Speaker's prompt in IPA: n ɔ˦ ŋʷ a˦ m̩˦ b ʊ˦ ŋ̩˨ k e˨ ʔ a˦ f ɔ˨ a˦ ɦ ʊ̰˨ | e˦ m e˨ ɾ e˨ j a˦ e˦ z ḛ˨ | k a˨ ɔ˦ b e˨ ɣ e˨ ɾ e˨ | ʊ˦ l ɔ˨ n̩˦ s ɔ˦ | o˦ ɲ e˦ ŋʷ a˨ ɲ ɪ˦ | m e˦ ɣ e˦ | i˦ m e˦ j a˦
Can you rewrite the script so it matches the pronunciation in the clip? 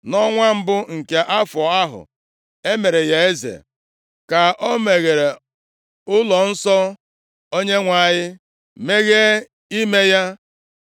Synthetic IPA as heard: n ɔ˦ ŋʷ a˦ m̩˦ b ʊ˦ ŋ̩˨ k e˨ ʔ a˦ f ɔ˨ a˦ ɦ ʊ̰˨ | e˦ m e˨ ɾ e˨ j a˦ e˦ z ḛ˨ | k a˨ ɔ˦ m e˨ ɣ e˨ ɾ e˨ | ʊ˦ l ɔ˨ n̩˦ s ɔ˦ | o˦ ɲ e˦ ŋʷ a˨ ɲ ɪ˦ | m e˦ ɣ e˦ | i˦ m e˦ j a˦

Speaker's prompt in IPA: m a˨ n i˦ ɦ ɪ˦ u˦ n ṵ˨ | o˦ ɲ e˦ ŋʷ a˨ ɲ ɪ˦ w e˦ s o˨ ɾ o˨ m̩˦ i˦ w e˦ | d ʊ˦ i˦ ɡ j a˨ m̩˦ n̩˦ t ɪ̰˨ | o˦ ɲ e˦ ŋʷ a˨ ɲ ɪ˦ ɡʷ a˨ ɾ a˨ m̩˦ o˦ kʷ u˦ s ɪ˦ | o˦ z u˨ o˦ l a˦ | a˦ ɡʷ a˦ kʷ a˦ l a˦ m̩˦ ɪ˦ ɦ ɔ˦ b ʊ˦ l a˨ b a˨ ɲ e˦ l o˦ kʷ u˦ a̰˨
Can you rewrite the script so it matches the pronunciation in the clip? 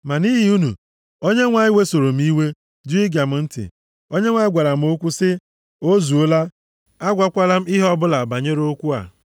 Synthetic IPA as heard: m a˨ n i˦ ɦ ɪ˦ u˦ n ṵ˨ | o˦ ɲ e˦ ŋʷ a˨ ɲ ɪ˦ w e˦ s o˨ ɾ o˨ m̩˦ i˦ w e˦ | d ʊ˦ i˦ ɡ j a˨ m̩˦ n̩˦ t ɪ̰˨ | o˦ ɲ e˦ ŋʷ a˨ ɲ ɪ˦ ɡʷ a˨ ɾ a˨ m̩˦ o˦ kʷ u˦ s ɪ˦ | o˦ z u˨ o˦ l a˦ | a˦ ɡʷ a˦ kʷ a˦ l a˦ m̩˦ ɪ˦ ɦ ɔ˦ b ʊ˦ l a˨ b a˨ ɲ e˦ ɾ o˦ kʷ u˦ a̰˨

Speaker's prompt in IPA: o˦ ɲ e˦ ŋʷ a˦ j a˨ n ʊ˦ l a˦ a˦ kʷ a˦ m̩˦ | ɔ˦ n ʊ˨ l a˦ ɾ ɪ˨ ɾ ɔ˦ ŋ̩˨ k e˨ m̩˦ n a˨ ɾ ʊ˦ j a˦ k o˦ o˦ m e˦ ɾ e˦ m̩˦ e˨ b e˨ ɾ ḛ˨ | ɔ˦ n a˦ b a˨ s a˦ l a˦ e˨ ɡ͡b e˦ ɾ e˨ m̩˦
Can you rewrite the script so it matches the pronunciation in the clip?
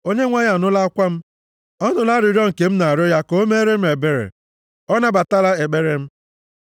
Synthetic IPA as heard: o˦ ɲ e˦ ŋʷ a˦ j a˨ n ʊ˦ l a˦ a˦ kʷ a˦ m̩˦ | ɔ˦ n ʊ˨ l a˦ ɾ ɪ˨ ɾ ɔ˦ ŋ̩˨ k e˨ m̩˦ n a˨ ɾ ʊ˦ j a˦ k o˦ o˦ m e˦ ɾ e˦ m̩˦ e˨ b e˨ ɾ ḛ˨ | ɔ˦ n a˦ b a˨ t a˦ l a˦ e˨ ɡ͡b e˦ ɾ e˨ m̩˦

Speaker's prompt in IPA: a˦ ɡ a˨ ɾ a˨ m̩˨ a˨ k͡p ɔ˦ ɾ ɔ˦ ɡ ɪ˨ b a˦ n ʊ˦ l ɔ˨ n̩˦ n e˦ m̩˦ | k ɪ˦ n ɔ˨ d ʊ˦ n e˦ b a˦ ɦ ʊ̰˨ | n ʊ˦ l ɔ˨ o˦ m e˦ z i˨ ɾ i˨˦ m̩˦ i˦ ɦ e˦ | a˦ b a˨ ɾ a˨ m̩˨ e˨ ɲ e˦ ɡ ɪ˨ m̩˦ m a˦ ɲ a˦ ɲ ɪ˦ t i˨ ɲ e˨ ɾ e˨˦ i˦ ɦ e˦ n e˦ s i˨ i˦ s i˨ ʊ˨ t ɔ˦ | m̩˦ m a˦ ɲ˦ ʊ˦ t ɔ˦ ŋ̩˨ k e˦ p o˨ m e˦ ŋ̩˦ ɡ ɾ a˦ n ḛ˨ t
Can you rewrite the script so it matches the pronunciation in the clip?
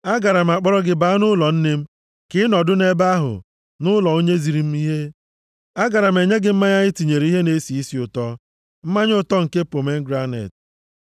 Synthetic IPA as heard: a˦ ɡ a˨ ɾ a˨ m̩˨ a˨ k͡p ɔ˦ ɾ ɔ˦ ɡ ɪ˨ b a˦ n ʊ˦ l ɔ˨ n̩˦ n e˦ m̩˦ | k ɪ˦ n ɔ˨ d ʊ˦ n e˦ b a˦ ɦ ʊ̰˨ | n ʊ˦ l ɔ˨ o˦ ɲ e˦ z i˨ ɾ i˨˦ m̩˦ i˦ ɦ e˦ | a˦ ɡ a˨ ɾ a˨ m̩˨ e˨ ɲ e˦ ɡ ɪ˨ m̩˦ m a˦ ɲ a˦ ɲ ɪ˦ t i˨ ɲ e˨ ɾ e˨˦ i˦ ɦ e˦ n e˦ s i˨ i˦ s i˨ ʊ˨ t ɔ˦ | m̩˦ m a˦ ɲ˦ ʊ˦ t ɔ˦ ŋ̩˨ k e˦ p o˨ m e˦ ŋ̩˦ ɡ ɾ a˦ n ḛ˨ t

